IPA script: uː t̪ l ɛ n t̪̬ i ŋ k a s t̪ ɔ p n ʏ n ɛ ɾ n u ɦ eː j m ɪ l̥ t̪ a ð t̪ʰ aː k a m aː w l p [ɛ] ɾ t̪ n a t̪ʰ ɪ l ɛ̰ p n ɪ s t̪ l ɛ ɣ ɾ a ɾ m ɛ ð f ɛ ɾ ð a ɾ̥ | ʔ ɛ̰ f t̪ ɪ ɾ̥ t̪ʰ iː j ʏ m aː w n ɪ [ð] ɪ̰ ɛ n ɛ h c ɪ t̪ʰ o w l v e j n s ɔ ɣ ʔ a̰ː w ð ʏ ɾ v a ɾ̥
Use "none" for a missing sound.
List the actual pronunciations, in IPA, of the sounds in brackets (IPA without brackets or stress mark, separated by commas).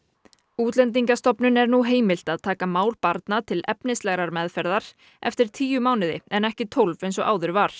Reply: a, ð